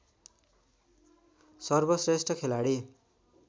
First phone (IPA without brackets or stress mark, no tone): s